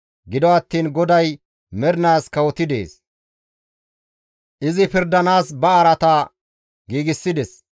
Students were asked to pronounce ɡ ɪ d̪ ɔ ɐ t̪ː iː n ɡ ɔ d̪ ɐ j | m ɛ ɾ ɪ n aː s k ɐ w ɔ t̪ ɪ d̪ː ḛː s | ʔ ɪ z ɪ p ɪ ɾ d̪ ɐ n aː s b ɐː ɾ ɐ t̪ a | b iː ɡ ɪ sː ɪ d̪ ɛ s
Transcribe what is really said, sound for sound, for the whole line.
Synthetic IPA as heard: ɡ ɪ d̪ ɔ ɐ t̪ː iː n ɡ ɔ d̪ ɐ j | m ɛ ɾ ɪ n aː s k ɐ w ɔ t̪ ɪ d̪ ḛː s | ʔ ɪ z ɪ p ɪ ɾ d̪ ɐ n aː s b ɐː ɾ ɐ t̪ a | ɡ iː ɡ ɪ sː ɪ d̪ ɛ s

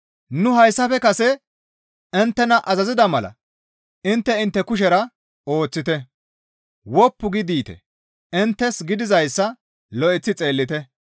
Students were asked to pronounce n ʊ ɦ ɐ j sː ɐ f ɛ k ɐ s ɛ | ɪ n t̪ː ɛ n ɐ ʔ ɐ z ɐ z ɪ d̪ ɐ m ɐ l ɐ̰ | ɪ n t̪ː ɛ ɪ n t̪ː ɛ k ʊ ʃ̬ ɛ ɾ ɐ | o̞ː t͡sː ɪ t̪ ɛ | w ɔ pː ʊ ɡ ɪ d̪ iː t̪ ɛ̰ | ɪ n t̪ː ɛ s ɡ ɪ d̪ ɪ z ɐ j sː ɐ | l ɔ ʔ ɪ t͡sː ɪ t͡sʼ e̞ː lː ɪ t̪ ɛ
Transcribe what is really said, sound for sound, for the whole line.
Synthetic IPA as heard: n ʊ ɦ ɐ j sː ɐ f ɛ k ɐ s ɛ | ɪ n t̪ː ɛ n ɐ ʔ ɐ z ɐ z ɪ d̪ ɐ m ɐ l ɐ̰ | ɪ n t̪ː ɛ ɪ n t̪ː ɛ k ʊ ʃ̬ ɛ ɾ ɐ | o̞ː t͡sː ɪ t̪ ɛ | w ɔ pː ʊ ɡ ɪ d̪ iː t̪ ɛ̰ | ɪ n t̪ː ɛ s ɡ ɪ d̪ ɪ z ɐ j sː ɐ | l ɔ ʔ ɪ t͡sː ɪ t͡sʼ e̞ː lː ɪ t̪ ɛ

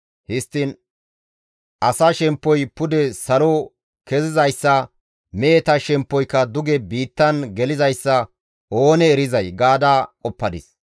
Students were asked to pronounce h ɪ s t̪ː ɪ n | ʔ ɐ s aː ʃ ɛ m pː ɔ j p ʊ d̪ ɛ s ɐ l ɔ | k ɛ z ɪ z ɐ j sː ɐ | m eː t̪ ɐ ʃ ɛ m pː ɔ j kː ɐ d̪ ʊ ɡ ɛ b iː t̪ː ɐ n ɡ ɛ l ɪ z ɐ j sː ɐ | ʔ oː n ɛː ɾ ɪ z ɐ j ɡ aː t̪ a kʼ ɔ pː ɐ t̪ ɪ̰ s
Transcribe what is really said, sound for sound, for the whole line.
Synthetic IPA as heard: h ɪ s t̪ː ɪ n | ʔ ɐ s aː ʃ ɛ m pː ɔ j p ʊ d̪ ɛ s ɐ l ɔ | k ɛ z ɪ z ɐ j sː ɐ | m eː t̪ ɐ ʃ ɛ m pː ɔ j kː ɐ d̪ ʊ ɡ ɛ b iː t̪ː ɐ n ɡ ɛ l ɪ z ɐ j sː ɐ | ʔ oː n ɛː ɾ ɪ z ɐ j ɡ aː d̪ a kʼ ɔ pː ɐ d̪ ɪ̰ s

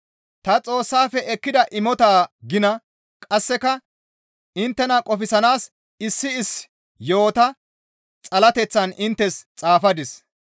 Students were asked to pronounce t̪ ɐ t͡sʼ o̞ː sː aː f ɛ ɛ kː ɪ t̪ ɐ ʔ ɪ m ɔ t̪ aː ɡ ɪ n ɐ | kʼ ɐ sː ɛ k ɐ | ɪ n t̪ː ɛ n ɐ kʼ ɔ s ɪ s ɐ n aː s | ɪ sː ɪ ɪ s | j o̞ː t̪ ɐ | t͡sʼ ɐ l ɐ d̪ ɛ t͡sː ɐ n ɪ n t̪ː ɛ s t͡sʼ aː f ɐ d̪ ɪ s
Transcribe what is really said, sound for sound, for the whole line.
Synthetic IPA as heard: t̪ ɐ t͡sʼ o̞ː sː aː f ɛ ɛ kː ɪ d̪ ɐ ʔ ɪ m ɔ t̪ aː ɡ ɪ n ɐ | kʼ ɐ sː ɛ k ɐ | ɪ n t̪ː ɛ n ɐ kʼ ɔ f ɪ s ɐ n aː s | ɪ sː ɪ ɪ s | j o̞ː t̪ ɐ | t͡sʼ ɐ l ɐ t̪ ɛ t͡sː ɐ n ɪ n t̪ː ɛ s t͡sʼ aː f ɐ d̪ ɪ s

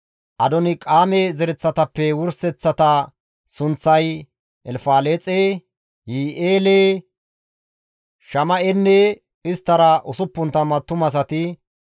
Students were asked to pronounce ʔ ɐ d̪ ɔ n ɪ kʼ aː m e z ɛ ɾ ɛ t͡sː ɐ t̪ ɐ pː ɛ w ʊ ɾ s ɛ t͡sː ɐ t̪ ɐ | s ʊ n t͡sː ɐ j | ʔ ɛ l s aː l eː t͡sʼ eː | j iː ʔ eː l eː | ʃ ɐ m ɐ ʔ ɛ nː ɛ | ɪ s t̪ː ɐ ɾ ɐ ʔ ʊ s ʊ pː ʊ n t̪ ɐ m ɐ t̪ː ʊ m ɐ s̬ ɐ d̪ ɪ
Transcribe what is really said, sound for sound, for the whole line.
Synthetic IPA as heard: ʔ ɐ d̪ ɔ n ɪ kʼ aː m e z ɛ ɾ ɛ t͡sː ɐ t̪ ɐ pː ɛ w ʊ ɾ s ɛ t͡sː ɐ t̪ ɐ | s ʊ n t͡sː ɐ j | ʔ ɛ l f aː l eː t͡sʼ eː | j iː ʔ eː l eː | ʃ ɐ m ɐ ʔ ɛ nː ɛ | ɪ s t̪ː ɐ ɾ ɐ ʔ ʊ s ʊ pː ʊ n t̪ ɐ m ɐ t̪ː ʊ m ɐ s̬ ɐ t̪ ɪ

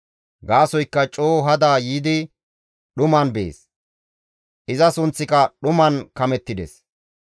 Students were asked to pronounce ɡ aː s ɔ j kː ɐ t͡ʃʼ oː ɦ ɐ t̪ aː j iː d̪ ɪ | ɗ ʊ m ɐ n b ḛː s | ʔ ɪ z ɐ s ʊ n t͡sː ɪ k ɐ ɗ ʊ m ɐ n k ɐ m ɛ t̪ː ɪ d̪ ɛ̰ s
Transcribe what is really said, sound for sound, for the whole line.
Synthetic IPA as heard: ɡ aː s ɔ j kː ɐ t͡ʃʼ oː ɦ ɐ d̪ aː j iː d̪ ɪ | ɗ ʊ m ɐ n b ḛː s | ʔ ɪ z ɐ s ʊ n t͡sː ɪ k ɐ ɗ ʊ m ɐ n k ɐ m ɛ t̪ː ɪ d̪ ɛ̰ s

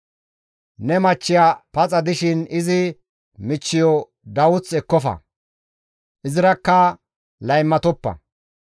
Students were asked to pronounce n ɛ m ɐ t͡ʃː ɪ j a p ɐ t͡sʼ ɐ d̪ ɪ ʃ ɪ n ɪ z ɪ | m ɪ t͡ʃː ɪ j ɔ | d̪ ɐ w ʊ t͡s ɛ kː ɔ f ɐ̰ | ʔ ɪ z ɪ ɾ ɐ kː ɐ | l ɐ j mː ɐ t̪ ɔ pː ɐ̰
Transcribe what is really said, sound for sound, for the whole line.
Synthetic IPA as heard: n ɛ m ɐ t͡ʃː ɪ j a p ɐ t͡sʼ ɐ d̪ ɪ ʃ ɪ n ɪ z ɪ | m ɪ t͡ʃː ɪ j ɔ | d̪ ɐ w ʊ t͡s ɛ kː ɔ f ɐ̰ | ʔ ɪ z ɪ ɾ ɐ kː ɐ | l ɐ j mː ɐ t̪ ɔ pː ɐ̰

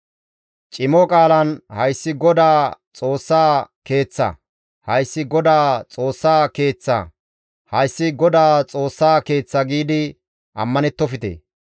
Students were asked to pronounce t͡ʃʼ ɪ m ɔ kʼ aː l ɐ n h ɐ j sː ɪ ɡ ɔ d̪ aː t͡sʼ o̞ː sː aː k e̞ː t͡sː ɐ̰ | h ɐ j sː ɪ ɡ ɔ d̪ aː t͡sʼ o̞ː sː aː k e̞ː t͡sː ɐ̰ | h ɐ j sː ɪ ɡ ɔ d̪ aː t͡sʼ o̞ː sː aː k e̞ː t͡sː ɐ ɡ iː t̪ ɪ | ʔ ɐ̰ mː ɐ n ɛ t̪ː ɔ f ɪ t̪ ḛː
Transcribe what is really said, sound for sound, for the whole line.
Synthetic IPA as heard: t͡ʃʼ ɪ m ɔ kʼ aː l ɐ n h ɐ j sː ɪ ɡ ɔ d̪ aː t͡sʼ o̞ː sː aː k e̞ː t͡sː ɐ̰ | h ɐ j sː ɪ ɡ ɔ d̪ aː t͡sʼ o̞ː sː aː k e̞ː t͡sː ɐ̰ | h ɐ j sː ɪ ɡ ɔ d̪ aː t͡sʼ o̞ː sː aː k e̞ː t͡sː ɐ ɡ iː d̪ ɪ | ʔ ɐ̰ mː ɐ n ɛ t̪ː ɔ f ɪ t̪ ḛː

